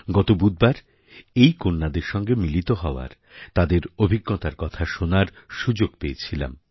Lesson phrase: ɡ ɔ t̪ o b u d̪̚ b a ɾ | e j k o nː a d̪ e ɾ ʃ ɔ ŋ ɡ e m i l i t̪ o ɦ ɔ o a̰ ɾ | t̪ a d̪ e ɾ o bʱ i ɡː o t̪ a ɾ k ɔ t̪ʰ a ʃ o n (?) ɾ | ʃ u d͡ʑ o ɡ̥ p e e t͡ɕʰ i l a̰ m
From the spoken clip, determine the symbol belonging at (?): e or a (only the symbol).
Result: a